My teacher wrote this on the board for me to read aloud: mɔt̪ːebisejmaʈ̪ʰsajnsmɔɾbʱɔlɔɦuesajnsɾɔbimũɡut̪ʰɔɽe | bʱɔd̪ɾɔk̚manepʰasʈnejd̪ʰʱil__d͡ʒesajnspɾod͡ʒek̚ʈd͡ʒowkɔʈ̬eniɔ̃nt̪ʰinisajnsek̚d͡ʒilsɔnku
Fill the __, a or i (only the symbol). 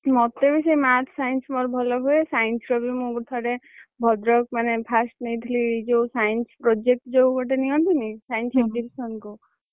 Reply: i